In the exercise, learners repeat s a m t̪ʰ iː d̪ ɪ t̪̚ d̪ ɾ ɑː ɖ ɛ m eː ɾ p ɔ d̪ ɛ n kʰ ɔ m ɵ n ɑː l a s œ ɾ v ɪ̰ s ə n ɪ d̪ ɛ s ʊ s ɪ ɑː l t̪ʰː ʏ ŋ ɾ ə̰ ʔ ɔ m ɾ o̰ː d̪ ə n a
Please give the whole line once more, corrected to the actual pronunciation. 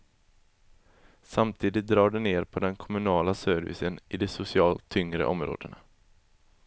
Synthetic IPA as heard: s a m t̪ʰ iː d̪ ɪ t̪̚ d̪ ɾ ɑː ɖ ɛ n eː ɾ pʰ ɔ d̪ ɛ n kʰ ɔ m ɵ n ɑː l a s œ ɾ v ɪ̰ s ə n ɪ d̪ ɛ s ʊ s ɪ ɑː l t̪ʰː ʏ ŋ ɾ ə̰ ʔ ɔ m ɾ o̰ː d̪ ə n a